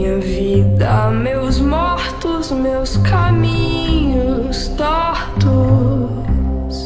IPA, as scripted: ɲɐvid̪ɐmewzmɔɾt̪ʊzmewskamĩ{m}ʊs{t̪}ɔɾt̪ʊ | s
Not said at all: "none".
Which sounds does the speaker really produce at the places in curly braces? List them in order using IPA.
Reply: ɲ, t̪

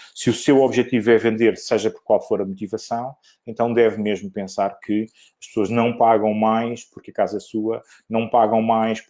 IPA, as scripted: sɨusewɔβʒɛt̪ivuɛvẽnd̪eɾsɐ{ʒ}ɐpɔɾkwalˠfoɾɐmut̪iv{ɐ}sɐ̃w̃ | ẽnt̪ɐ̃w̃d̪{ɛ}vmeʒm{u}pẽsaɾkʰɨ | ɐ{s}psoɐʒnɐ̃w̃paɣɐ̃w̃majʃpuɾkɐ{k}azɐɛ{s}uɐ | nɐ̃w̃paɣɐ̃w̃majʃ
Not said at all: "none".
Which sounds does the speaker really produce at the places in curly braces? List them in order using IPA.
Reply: ʒ, ɐ, ɛ, u, ʃ, k, s

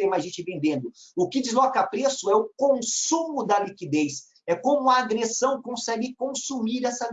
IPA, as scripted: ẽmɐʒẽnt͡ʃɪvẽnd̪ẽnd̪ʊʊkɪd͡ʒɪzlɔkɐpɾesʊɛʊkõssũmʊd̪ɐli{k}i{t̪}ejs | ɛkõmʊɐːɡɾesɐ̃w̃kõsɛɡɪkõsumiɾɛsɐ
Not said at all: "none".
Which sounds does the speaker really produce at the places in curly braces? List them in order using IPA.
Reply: k, d̪

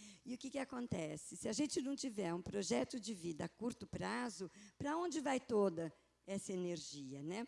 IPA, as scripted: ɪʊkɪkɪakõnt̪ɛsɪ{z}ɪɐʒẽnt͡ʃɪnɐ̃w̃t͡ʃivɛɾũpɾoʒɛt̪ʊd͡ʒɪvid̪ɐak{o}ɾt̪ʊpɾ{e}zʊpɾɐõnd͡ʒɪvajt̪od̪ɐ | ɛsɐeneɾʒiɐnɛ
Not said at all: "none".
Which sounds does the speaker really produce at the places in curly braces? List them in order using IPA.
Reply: s, u, a

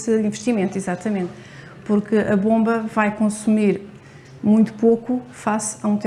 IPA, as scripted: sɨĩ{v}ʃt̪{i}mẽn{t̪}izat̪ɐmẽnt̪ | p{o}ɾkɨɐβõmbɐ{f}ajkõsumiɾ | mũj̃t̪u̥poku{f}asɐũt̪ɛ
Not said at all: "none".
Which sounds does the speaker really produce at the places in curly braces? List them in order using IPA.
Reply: v, i, t̪, u, v, f

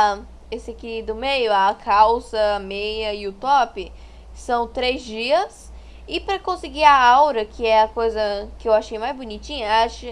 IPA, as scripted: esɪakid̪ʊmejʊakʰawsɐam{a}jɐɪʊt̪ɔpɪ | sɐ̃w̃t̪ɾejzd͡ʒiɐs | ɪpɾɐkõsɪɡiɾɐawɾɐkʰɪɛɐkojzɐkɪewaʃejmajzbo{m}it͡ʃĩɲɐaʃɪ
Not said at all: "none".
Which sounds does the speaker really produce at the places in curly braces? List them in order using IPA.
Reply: e, n

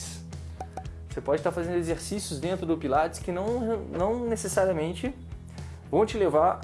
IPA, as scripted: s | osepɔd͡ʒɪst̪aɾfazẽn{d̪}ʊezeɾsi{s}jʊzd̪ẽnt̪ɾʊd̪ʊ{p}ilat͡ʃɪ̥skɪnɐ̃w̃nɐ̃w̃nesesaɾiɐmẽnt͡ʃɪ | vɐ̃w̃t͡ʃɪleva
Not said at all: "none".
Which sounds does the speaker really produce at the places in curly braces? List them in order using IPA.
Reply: d̪, s, p

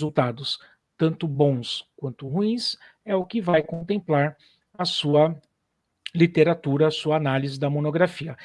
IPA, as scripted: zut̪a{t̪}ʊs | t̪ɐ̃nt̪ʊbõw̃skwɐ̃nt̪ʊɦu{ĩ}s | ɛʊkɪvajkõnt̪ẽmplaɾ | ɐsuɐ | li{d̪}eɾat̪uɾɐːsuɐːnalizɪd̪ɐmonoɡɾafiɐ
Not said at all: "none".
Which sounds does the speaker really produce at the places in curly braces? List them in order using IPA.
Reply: d̪, ĩ, t̪

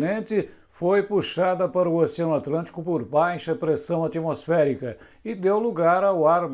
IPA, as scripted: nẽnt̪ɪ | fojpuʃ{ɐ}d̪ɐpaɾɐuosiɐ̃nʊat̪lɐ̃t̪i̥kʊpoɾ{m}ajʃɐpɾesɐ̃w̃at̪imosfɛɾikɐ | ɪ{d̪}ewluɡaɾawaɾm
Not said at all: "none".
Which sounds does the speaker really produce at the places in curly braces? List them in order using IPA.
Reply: a, b, d̪

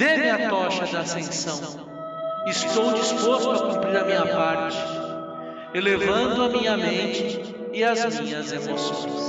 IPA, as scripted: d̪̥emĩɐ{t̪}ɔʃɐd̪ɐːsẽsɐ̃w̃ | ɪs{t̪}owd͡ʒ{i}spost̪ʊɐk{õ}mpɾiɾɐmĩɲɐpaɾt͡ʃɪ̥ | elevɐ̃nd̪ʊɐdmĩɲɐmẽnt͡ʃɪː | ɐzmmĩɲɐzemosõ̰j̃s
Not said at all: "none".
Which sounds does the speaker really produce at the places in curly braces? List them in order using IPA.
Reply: t̪, t̪, i, ũ

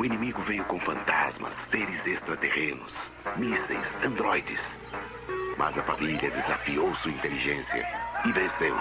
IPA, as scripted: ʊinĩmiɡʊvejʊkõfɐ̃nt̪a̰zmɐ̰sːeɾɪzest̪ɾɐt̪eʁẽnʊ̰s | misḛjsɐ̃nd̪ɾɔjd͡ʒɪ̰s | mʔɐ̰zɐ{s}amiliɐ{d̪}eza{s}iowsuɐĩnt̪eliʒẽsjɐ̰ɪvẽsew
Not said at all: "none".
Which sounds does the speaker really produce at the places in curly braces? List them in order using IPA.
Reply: f, d̪, f

